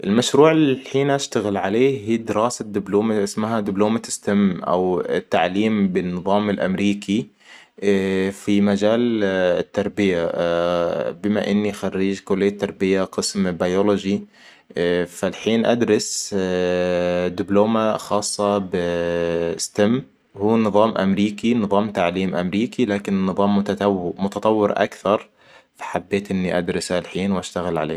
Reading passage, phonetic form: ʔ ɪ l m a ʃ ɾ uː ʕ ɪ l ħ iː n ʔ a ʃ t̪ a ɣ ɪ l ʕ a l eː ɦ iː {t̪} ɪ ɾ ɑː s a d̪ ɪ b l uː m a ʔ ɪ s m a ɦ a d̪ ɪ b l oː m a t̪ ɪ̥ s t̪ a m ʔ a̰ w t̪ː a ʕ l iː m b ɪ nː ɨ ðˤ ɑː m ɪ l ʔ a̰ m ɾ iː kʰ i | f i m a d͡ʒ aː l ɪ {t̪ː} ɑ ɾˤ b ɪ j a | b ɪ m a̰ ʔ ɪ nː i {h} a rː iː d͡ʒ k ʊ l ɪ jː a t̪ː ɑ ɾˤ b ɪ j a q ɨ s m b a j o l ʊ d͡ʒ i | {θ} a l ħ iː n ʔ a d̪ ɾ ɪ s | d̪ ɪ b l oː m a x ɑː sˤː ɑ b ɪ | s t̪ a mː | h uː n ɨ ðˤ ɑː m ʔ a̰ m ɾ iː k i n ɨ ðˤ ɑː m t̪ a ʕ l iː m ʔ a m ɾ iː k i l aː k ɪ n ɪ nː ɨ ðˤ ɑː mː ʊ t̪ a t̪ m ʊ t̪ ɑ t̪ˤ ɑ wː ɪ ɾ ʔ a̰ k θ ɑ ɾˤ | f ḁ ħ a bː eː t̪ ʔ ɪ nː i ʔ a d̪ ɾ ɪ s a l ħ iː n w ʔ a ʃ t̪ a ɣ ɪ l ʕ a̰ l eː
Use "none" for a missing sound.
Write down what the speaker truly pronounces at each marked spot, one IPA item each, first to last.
d̪, t̪ː, x, f

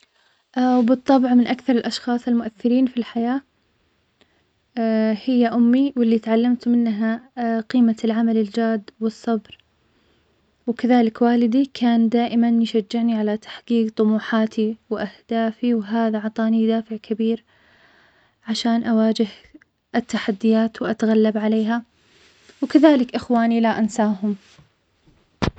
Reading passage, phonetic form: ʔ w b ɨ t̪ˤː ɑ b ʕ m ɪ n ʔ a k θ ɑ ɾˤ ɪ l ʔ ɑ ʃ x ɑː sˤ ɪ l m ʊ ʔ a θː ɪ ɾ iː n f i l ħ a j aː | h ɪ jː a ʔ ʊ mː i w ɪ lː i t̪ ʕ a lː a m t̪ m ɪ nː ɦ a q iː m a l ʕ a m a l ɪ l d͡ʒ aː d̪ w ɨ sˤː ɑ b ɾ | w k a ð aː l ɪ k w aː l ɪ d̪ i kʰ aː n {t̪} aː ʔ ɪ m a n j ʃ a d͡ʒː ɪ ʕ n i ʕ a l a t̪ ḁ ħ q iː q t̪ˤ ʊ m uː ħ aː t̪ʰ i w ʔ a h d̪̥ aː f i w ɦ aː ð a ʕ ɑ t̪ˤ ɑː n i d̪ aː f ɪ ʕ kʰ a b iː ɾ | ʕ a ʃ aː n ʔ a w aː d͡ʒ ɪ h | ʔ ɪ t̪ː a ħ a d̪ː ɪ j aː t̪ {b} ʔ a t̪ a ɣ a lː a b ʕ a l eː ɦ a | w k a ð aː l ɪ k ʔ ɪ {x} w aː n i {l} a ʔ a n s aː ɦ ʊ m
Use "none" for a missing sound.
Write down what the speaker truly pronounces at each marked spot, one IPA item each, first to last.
d̪, w, x, l

